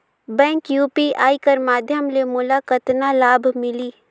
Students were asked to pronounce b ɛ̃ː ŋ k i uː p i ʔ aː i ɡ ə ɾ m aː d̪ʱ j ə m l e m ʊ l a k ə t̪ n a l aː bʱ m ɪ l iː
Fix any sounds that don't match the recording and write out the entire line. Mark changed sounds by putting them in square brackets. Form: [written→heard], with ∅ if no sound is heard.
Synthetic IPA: b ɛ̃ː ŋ k [i→j] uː p i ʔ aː i [ɡ→k] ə ɾ m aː d̪ʱ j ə m l e m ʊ l a k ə t̪ n a l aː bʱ m ɪ l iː